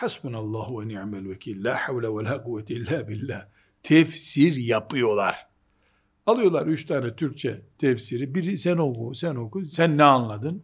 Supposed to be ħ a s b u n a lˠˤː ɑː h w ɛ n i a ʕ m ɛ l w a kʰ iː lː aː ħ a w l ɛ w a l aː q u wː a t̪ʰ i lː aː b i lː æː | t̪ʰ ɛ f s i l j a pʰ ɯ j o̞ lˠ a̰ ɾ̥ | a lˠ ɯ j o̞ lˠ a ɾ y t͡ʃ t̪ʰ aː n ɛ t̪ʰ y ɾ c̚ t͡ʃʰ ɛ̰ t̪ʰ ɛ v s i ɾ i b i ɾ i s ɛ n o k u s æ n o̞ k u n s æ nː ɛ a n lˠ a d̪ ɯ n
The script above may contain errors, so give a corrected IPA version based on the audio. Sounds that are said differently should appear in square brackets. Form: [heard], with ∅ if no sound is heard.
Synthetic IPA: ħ a s b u n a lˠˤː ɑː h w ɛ n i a ʕ m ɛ l w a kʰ iː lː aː ħ a w l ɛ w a l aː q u wː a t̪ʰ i lː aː b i lː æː | t̪ʰ ɛ f s i [ɾ] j a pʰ ɯ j o̞ lˠ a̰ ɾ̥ | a lˠ ɯ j o̞ lˠ a ɾ y t͡ʃ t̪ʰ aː n ɛ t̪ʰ y ɾ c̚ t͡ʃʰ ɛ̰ t̪ʰ ɛ [f] s i ɾ i b i ɾ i s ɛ n o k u s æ n o̞ k u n s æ nː ɛ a n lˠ a d̪ ɯ n